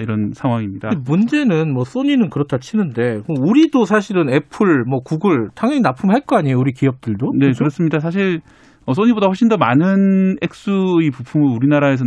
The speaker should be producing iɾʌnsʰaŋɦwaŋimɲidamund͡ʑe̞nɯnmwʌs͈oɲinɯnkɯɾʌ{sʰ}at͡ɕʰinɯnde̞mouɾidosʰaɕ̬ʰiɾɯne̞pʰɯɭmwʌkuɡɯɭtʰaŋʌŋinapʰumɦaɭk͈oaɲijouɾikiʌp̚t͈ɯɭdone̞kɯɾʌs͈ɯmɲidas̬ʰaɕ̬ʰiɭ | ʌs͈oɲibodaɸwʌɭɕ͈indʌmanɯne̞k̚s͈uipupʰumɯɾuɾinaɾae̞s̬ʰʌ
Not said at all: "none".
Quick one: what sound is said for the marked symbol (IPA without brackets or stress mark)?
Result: tʰ